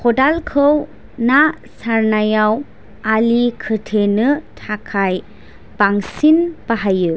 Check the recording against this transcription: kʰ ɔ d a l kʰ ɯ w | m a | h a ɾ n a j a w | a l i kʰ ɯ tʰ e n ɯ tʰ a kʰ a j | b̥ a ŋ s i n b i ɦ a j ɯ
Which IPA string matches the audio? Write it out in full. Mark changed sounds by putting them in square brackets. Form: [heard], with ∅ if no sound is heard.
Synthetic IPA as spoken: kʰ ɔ d a l kʰ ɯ w | [n] a | [s] a ɾ n a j a w | a l i kʰ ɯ tʰ e n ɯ tʰ a kʰ a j | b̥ a ŋ s i n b [a] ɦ a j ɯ